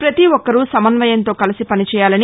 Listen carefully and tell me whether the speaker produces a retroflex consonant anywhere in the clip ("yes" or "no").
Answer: no